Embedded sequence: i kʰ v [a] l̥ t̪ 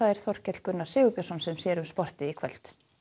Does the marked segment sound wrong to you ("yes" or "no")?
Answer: yes